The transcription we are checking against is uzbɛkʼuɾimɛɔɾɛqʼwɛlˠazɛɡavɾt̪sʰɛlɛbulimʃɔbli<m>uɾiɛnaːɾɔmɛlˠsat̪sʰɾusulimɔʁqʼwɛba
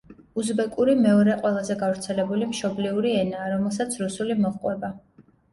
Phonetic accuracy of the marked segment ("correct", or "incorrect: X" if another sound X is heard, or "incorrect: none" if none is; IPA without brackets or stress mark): incorrect: none